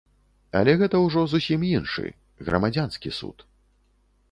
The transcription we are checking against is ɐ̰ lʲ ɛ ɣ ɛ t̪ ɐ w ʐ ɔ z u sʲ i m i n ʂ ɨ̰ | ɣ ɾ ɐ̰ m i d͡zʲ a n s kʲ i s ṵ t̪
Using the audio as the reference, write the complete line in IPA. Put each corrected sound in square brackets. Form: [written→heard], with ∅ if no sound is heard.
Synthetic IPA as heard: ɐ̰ lʲ ɛ ɣ ɛ t̪ ɐ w ʐ ɔ z u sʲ i m i n ʂ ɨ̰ | ɣ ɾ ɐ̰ m [i→a] d͡zʲ a n s kʲ i s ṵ t̪